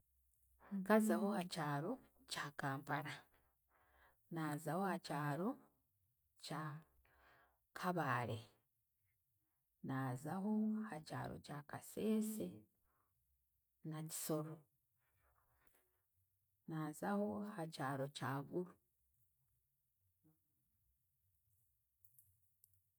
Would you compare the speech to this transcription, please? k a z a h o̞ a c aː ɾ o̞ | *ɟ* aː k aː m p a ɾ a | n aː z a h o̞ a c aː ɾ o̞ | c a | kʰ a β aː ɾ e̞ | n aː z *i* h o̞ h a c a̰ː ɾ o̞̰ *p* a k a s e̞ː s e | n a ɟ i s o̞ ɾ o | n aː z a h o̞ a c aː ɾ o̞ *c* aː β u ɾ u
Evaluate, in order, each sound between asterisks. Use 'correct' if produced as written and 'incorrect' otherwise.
incorrect: c, incorrect: a, incorrect: c, correct

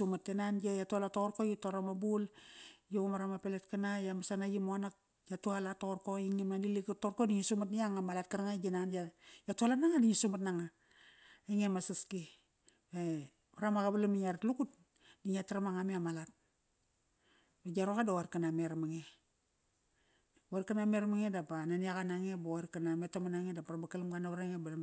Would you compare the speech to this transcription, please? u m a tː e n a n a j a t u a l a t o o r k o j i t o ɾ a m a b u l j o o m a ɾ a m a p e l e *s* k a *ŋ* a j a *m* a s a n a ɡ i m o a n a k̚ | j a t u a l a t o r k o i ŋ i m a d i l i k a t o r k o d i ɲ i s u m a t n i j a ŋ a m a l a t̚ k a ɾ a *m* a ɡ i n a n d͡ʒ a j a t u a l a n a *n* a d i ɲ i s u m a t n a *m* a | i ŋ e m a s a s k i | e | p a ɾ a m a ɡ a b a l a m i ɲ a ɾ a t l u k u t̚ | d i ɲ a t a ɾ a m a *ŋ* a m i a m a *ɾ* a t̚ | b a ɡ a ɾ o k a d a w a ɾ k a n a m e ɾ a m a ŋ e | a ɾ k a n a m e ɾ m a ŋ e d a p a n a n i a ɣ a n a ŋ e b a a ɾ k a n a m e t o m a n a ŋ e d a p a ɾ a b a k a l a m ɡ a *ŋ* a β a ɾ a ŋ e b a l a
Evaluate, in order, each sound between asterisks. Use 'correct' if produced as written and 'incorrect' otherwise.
incorrect: t, incorrect: n, correct, incorrect: ŋ, incorrect: ŋ, incorrect: ŋ, correct, incorrect: l, incorrect: n

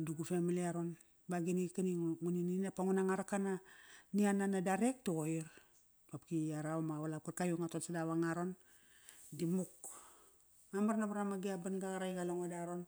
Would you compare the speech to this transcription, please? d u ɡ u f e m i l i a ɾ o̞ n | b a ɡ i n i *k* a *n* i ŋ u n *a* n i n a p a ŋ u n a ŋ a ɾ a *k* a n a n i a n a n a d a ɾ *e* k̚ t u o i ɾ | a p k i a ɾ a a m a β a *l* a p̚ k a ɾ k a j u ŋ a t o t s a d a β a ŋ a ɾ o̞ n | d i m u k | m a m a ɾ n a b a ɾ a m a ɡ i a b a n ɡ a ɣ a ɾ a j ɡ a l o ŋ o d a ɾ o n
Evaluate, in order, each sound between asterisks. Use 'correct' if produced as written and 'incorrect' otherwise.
correct, correct, incorrect: i, correct, correct, correct

